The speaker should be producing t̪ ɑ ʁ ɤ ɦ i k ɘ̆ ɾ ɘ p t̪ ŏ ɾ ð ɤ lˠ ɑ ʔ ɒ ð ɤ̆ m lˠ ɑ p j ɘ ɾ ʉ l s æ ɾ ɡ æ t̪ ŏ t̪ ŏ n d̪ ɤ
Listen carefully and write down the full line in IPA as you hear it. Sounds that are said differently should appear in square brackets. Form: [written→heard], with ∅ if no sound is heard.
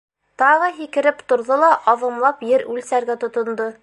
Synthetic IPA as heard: t̪ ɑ ʁ ɤ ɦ i k ɘ̆ ɾ ɘ p t̪ ŏ ɾ ð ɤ lˠ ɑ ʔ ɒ ð ɤ̆ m lˠ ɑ p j ɘ ɾ ʉ l s æ ɾ ɡ æ t̪ ŏ t̪ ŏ n d̪ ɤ

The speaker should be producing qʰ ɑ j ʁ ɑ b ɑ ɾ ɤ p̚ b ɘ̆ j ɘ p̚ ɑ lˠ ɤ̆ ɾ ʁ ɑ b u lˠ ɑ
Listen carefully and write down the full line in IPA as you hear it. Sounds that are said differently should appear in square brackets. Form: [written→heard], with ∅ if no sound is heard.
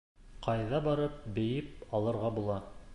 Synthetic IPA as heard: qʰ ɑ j [ʁ→ð] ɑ b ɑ ɾ ɤ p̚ b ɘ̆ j ɘ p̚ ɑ lˠ ɤ̆ ɾ ʁ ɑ b u lˠ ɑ

